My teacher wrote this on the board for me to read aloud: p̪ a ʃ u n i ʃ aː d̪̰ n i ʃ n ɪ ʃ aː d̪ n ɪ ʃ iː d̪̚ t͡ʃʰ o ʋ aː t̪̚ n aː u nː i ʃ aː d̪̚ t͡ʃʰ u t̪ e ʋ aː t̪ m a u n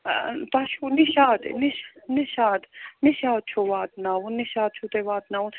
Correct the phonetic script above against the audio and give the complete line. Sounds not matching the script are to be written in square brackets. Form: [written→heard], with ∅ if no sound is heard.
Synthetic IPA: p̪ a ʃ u n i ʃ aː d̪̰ n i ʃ n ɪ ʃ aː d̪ n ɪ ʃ [iː→aː] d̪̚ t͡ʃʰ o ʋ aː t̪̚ n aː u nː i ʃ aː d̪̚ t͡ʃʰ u t̪ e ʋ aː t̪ [m→n] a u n